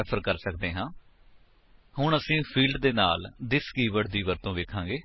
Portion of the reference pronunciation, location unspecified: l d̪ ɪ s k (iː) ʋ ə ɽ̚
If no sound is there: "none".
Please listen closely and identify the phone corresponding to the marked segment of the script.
iː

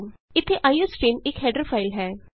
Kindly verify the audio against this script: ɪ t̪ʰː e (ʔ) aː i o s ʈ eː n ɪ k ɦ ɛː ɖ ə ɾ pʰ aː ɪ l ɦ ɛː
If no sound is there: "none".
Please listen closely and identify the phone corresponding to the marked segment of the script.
ʔ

